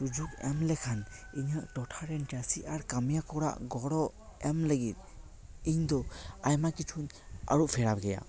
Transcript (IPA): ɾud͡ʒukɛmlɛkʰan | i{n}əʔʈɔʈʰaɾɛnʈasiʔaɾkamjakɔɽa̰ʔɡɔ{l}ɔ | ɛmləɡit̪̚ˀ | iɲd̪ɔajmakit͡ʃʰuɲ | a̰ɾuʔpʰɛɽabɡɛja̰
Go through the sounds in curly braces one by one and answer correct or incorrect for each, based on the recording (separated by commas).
incorrect, incorrect